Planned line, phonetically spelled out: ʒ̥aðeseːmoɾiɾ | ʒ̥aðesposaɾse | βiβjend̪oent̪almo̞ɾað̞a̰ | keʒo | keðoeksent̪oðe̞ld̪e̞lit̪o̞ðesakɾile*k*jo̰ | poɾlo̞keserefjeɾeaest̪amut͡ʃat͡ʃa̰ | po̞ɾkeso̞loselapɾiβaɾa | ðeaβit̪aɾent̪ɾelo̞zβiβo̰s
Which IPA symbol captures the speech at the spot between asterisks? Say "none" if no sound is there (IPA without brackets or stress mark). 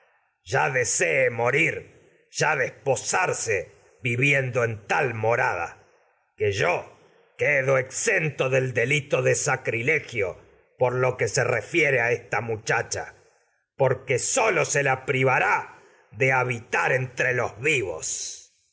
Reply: x